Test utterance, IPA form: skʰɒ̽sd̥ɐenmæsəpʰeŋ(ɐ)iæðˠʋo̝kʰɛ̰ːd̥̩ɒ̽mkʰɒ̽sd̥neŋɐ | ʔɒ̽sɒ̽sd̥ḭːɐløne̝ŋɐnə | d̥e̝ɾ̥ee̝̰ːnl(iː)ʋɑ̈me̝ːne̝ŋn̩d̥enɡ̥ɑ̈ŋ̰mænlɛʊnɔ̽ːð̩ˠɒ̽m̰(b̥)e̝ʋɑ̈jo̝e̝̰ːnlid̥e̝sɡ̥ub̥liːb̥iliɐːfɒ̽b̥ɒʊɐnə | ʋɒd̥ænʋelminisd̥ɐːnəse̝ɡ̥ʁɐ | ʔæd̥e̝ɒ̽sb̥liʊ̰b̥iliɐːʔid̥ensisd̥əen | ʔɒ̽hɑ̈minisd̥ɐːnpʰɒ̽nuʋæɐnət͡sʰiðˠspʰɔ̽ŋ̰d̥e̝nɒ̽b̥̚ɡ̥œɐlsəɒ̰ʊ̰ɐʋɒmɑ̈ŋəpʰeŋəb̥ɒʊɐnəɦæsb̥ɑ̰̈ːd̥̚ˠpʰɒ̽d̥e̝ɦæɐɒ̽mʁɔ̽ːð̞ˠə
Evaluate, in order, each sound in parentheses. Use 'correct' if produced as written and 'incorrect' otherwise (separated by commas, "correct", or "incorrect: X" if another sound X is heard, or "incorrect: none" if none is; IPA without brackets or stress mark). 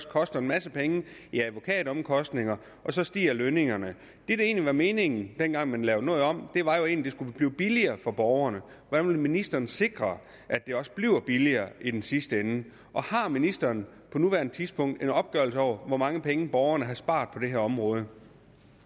incorrect: ə, incorrect: i, incorrect: d̥